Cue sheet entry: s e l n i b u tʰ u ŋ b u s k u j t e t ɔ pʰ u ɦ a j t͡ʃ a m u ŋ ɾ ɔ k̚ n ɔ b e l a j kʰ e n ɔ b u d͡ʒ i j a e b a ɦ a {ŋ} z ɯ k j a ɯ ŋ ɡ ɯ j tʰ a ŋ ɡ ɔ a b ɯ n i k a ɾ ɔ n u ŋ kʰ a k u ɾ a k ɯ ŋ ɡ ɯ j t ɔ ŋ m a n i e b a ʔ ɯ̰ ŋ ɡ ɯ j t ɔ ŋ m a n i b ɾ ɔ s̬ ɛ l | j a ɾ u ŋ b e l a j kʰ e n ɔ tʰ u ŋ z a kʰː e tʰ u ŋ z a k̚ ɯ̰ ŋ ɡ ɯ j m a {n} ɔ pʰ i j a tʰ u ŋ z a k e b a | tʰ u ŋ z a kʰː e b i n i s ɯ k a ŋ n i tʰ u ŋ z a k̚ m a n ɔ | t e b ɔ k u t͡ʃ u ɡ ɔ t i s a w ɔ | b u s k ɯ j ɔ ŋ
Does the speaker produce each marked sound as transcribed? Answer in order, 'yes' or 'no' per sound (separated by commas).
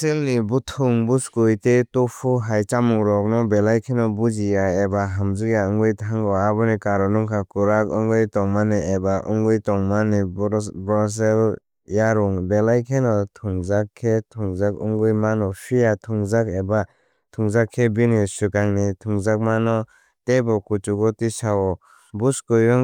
no, yes